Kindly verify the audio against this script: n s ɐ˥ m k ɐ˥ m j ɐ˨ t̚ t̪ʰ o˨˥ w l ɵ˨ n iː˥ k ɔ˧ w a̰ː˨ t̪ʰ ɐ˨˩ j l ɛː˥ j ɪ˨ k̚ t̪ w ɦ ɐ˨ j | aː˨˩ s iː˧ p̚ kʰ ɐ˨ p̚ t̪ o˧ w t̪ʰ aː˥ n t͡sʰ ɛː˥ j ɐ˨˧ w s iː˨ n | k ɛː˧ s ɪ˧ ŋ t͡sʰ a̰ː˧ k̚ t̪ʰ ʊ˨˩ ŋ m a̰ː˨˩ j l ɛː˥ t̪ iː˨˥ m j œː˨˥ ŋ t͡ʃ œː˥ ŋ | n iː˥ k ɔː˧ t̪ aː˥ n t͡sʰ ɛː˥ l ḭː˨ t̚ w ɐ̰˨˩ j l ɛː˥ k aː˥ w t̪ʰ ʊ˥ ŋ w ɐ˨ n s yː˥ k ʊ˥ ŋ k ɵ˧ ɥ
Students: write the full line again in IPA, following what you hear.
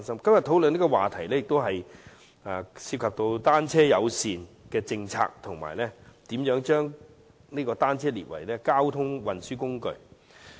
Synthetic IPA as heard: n s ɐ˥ m k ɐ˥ m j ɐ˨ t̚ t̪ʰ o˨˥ w l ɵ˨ n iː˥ k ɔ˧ w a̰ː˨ t̪ʰ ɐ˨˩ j l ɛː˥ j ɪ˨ k̚ t̪ w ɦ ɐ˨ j | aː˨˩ s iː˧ p̚ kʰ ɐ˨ p̚ t̪ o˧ w t̪ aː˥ n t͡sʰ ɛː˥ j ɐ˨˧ w s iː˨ n | k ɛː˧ t͡s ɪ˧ ŋ t͡sʰ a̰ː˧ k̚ t̪ʰ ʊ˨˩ ŋ m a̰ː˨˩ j l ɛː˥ t̪ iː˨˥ m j œː˨˥ ŋ t͡ʃ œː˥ ŋ | n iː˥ k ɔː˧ t̪ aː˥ n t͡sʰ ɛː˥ l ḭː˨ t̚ w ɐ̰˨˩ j l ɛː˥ k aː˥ w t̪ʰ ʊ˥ ŋ w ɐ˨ n s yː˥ k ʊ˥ ŋ k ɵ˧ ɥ